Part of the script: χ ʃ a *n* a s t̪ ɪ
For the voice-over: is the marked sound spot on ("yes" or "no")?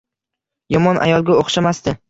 no